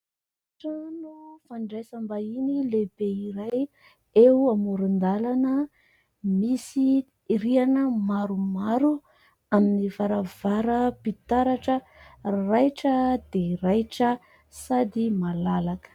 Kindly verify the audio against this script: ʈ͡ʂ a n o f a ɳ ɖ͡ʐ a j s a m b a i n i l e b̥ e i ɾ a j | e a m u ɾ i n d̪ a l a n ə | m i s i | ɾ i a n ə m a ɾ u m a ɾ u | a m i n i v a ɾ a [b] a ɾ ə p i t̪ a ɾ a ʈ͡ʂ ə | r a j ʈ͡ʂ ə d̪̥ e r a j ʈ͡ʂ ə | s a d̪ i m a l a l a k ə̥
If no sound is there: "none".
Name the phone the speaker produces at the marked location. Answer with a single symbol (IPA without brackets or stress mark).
v